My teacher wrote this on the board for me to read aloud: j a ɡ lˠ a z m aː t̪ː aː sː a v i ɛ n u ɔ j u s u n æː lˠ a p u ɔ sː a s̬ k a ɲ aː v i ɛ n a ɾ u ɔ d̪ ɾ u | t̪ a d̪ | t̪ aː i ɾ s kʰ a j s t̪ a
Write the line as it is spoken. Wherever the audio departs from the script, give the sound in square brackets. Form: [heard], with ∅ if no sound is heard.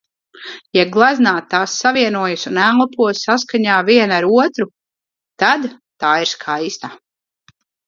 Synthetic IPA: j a ɡ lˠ a z [n] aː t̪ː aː sː a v i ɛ n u ɔ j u s u n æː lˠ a p u ɔ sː a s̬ k a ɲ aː v i ɛ n a ɾ u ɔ [t̪] ɾ u | t̪ a d̪ | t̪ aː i ɾ s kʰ a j s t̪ a